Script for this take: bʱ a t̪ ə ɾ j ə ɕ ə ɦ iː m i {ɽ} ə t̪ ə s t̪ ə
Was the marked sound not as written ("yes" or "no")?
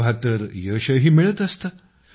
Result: yes